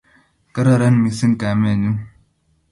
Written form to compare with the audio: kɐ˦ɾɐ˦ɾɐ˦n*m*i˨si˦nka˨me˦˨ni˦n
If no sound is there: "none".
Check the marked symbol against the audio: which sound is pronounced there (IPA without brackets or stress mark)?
m